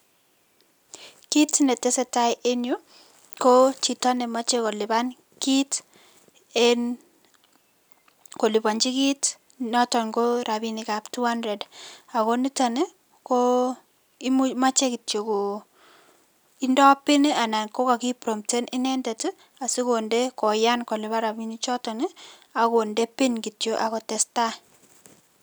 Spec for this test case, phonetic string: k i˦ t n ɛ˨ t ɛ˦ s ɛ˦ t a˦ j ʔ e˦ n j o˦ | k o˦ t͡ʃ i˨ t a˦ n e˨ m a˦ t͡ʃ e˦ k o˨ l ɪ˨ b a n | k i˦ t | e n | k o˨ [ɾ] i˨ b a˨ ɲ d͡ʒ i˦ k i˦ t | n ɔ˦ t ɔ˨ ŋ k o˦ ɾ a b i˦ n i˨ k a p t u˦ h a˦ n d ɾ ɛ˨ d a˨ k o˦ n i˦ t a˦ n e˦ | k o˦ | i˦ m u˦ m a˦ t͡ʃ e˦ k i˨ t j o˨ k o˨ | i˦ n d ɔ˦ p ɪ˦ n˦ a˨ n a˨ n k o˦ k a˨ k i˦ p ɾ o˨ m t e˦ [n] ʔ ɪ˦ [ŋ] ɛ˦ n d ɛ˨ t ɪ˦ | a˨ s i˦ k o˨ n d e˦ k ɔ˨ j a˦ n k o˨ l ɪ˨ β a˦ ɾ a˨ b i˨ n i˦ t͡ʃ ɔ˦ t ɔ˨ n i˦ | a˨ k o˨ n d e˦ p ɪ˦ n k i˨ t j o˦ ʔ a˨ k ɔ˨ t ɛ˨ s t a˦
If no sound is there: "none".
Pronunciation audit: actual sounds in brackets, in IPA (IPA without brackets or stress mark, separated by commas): l, n, n